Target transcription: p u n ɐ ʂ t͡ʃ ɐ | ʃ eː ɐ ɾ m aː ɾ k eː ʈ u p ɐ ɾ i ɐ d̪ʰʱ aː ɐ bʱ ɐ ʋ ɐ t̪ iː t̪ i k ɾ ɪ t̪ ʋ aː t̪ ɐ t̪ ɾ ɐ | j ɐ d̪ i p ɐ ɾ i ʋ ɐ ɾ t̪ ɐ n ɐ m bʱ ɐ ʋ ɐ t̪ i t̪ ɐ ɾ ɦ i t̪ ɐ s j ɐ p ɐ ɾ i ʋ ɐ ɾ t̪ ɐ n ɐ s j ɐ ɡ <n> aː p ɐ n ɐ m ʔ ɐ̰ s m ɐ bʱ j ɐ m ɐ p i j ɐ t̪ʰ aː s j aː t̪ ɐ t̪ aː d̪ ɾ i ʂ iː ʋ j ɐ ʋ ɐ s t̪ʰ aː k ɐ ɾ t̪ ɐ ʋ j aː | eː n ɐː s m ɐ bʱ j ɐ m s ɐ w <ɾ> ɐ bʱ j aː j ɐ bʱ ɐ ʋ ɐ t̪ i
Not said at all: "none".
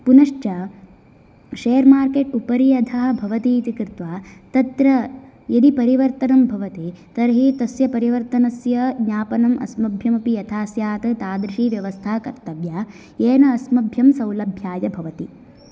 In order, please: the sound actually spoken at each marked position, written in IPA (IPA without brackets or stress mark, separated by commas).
ɲ, l